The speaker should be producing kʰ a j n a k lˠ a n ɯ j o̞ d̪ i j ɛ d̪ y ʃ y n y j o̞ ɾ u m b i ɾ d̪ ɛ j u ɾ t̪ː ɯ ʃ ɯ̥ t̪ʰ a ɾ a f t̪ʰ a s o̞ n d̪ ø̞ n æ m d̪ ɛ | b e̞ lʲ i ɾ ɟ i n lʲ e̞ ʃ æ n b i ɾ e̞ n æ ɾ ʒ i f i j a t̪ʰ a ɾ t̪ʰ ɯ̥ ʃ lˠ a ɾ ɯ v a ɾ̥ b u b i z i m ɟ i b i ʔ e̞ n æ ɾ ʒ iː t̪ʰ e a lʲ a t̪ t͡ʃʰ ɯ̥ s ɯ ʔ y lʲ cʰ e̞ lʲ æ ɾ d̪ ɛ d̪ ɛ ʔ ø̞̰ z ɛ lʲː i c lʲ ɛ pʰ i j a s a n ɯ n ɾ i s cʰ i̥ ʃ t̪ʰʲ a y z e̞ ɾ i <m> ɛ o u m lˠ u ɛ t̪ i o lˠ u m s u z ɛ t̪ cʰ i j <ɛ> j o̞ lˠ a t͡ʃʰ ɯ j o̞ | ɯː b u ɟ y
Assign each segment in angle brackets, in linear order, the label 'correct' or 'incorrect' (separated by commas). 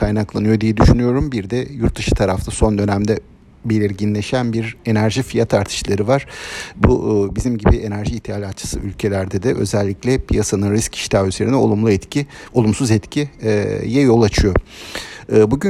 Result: incorrect, correct